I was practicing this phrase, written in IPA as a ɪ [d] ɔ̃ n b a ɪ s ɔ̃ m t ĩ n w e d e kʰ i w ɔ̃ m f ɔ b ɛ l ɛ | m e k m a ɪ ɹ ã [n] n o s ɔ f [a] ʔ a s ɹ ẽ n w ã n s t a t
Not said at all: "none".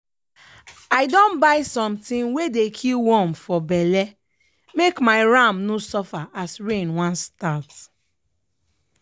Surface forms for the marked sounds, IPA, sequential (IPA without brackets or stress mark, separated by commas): d, m, a